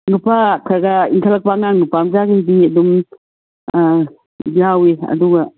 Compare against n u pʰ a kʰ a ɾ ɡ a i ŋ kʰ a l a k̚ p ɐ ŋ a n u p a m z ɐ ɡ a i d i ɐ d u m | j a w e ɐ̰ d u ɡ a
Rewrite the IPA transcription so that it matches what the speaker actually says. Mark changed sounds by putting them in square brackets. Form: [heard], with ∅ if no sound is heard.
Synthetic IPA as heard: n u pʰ a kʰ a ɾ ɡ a i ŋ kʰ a l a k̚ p [a] ŋ a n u p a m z [a] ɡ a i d i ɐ d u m | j a w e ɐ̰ d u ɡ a